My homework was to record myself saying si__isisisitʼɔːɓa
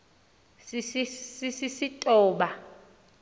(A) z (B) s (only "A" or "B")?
B